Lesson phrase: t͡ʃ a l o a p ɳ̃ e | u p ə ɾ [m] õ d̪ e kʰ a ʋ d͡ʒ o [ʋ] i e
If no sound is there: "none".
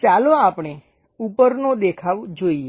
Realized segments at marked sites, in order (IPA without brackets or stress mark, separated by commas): n, none